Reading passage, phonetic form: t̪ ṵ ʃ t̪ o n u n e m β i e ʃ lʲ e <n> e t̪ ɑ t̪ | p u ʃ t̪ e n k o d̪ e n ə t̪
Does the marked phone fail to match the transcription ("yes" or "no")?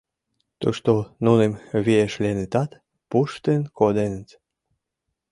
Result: no